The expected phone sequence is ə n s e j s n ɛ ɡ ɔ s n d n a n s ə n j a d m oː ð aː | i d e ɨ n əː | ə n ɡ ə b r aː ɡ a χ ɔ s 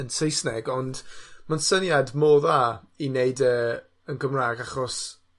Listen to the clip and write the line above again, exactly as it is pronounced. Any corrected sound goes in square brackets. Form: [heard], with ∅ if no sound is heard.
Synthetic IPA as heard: ə n s e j s n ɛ ɡ ɔ [∅] n d [m] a n s ə n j a d m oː ð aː | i [n] e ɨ [d] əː | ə n ɡ ə [m] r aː ɡ a χ ɔ s

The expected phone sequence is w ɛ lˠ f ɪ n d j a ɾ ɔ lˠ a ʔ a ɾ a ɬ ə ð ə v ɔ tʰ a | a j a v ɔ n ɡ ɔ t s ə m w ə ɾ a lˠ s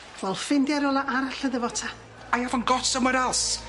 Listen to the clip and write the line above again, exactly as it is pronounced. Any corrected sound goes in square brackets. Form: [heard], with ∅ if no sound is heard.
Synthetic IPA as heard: [v] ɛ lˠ f ɪ n d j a ɾ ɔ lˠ a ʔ a ɾ a ɬ ə ð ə v ɔ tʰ a | a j a v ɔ n ɡ ɔ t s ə m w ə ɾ a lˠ s

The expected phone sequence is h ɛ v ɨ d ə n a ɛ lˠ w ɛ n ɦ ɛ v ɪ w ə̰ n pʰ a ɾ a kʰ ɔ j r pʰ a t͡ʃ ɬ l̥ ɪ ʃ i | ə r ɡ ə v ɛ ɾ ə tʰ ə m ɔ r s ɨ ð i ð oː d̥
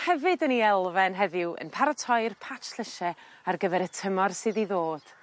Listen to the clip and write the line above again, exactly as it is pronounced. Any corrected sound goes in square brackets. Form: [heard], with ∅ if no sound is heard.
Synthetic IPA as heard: h ɛ v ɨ d ə n [i] ɛ lˠ [v] ɛ n ɦ ɛ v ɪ w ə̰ n pʰ a ɾ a [tʰ] ɔ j r pʰ a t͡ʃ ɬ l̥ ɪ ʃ [ɛ] | [a] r ɡ ə v ɛ ɾ ə tʰ ə m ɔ r s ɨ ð i ð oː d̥

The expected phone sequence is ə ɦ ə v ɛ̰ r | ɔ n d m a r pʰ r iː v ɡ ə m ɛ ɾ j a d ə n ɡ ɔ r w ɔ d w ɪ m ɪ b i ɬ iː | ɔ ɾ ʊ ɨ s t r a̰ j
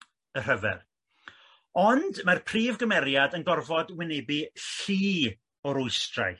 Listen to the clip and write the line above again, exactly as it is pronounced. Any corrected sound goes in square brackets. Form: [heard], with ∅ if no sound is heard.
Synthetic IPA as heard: ə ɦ ə v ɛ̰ r | ɔ n d m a r pʰ r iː v ɡ ə m ɛ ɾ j a d ə n ɡ ɔ r [v] ɔ d w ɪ [n] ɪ b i ɬ iː | ɔ ɾ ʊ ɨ s t r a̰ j

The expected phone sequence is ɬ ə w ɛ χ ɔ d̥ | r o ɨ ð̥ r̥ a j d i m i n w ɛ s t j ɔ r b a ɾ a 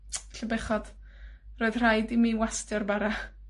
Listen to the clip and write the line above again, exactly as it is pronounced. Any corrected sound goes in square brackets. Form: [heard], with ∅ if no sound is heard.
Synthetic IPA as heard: ɬ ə [b] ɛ χ ɔ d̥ | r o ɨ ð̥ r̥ a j d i m i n w [a] s t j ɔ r b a ɾ a

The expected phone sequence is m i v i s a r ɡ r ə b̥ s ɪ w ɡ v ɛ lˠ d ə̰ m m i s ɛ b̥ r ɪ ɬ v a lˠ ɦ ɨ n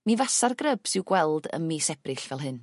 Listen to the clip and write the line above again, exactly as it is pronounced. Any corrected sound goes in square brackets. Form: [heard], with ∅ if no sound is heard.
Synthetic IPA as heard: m i v [a] s a r ɡ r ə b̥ s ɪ w ɡ [w] ɛ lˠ d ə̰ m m i s ɛ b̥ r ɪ ɬ v [ɛ] lˠ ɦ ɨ n

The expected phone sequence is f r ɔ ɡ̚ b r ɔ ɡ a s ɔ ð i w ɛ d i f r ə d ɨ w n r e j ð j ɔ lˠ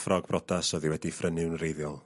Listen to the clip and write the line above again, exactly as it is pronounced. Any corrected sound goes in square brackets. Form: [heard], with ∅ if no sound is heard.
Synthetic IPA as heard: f r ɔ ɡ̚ b r ɔ [d] a s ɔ ð i w ɛ d i f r ə [n] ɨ w n r e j ð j ɔ lˠ

